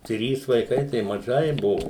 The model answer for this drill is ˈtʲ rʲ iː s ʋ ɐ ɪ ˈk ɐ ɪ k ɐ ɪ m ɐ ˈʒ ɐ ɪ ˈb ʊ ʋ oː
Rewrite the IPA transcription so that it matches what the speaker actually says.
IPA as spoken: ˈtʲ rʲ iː s ʋ ɐ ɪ ˈk ɐ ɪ t ɐ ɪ m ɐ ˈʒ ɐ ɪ ˈb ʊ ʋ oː